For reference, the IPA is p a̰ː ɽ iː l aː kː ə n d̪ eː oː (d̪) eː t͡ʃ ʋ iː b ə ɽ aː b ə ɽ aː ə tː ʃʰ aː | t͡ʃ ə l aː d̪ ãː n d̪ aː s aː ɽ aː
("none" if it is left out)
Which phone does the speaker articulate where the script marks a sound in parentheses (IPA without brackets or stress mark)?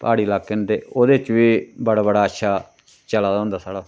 d̪